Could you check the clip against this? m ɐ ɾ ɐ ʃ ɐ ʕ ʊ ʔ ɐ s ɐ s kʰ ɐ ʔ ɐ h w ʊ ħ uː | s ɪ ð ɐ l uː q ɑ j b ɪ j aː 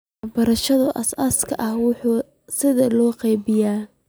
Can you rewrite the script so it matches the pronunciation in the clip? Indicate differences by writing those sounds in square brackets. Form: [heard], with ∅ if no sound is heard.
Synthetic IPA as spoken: [b] ɐ ɾ ɐ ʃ ɐ [ð] ʊ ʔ ɐ s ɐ s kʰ ɐ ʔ ɐ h w ʊ ħ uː | s ɪ ð ɐ l [ɔː] q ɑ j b ɪ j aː